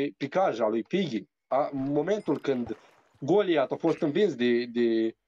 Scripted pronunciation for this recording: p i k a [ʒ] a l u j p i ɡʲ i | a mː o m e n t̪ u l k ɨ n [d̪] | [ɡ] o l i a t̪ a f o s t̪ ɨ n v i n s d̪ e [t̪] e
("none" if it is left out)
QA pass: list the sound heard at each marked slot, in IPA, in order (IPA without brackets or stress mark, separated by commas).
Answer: ʒ, d̪, ɡ, d̪